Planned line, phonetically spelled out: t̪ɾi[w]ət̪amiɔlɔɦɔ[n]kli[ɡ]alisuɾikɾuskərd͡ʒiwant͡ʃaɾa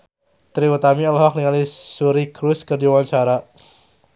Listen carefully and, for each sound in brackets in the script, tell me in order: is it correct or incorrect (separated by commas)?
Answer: correct, incorrect, incorrect